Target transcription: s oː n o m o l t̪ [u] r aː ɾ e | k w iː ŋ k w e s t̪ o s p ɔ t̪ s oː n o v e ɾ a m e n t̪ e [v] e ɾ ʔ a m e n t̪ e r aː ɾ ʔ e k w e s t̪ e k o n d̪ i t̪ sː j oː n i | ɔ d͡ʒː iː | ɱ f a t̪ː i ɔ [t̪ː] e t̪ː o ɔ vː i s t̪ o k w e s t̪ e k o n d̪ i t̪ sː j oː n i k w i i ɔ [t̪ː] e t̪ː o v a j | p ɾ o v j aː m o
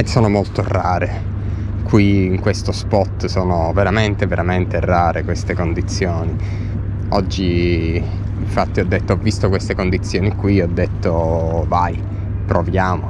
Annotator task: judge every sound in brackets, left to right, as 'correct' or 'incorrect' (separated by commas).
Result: incorrect, correct, incorrect, incorrect